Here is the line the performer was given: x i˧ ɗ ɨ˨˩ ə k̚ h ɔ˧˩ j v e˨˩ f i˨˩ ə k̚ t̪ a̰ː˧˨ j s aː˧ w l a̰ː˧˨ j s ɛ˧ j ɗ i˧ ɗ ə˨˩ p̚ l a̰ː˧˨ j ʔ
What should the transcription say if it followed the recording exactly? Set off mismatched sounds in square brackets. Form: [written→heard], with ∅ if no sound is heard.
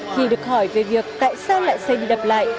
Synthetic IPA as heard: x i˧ ɗ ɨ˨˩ ə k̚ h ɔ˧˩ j v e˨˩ [f→v] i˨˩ ə k̚ t̪ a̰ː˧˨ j s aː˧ w l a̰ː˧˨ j s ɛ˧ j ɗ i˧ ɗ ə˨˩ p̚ l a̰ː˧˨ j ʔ